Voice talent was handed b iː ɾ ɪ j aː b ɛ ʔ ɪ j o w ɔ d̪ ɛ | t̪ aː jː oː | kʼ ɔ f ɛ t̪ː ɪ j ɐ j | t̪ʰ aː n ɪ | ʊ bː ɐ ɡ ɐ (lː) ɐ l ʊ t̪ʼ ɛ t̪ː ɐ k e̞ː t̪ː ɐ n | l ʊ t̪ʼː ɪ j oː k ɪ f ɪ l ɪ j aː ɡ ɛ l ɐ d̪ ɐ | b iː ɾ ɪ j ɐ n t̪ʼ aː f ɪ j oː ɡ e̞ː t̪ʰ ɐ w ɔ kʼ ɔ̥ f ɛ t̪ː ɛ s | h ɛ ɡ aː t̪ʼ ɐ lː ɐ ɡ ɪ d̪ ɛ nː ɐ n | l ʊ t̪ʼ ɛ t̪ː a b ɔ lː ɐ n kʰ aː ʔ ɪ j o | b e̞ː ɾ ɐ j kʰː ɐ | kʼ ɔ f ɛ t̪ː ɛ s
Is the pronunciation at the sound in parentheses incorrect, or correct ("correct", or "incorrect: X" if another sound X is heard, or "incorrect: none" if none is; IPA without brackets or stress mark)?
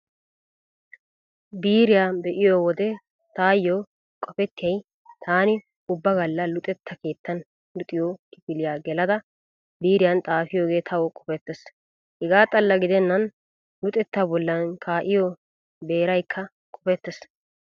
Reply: correct